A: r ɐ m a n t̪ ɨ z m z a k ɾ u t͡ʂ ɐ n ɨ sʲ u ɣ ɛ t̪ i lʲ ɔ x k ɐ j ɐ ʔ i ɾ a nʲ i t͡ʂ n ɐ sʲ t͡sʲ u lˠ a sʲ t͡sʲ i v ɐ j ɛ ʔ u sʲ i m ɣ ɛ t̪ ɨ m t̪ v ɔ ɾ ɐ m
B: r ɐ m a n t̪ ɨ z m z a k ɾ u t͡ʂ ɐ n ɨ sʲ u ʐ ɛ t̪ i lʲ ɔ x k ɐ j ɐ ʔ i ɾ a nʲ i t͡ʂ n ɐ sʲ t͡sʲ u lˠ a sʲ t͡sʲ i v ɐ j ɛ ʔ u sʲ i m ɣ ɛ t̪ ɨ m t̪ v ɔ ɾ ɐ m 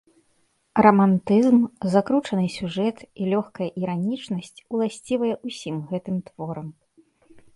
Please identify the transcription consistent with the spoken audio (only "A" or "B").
B